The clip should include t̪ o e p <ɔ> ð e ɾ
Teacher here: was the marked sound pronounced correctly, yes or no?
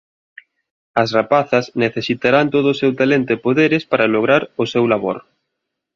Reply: no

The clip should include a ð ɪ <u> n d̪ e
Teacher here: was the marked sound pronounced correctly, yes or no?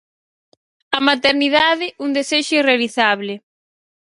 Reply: yes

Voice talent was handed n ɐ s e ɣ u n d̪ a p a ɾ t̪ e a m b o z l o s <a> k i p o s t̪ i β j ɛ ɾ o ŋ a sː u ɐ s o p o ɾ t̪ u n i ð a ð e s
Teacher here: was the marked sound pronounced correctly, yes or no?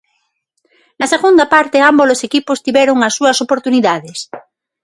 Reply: no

